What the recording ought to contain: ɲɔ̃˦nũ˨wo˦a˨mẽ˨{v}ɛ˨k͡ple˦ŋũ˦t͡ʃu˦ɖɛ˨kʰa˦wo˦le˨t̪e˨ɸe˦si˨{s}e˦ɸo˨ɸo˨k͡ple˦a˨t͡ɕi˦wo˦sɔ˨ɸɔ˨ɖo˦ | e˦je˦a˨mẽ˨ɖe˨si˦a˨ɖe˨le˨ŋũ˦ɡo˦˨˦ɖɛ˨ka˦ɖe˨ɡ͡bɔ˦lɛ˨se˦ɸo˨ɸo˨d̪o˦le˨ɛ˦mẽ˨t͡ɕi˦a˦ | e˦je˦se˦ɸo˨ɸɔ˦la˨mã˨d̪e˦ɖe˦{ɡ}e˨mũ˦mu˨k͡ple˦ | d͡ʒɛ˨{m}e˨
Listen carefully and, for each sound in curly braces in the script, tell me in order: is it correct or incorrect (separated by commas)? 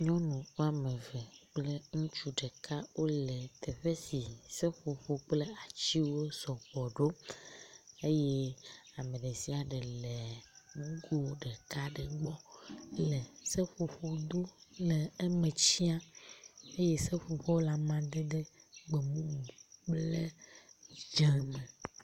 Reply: correct, correct, incorrect, correct